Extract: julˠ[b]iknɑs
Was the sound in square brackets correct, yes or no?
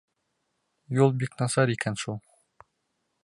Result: yes